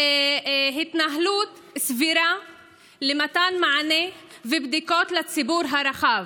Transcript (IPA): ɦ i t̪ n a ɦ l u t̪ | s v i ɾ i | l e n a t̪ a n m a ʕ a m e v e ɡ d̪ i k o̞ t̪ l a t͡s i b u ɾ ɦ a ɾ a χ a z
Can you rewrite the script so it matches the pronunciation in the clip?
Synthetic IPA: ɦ i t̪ n a ɦ l u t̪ | s v i ɾ a | l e m a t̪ a n m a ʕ a n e v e b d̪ i k o̞ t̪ l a t͡s i b u ɾ ɦ a ɾ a χ a v